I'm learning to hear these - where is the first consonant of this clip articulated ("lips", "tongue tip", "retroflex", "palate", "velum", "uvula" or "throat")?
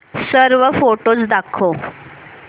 tongue tip